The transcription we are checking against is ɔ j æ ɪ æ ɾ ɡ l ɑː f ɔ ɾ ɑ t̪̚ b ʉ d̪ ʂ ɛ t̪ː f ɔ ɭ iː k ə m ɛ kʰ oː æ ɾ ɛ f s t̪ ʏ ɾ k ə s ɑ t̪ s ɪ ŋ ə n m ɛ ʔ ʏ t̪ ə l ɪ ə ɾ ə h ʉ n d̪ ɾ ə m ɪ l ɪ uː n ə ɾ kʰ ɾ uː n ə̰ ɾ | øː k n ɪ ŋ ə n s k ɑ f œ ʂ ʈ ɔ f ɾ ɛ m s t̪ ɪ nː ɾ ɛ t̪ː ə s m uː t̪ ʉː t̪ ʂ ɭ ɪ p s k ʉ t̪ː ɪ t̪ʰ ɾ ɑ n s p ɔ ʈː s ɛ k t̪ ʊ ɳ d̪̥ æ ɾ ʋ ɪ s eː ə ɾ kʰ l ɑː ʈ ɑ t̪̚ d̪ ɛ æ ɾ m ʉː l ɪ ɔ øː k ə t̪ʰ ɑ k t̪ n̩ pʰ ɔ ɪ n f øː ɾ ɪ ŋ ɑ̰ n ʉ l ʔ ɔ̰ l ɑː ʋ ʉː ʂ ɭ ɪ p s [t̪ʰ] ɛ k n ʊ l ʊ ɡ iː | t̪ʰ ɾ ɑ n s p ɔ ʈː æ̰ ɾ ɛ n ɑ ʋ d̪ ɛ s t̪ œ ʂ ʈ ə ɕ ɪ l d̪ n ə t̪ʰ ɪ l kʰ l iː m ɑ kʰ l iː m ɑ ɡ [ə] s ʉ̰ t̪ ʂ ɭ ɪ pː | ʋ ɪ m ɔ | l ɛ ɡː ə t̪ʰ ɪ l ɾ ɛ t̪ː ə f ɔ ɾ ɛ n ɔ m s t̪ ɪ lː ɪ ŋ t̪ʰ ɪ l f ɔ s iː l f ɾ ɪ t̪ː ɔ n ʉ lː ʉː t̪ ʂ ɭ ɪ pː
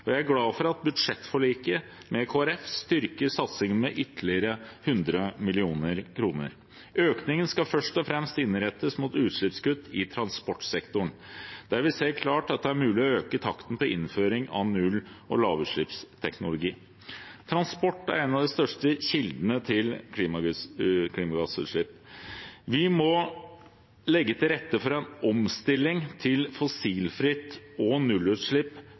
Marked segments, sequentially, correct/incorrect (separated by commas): correct, incorrect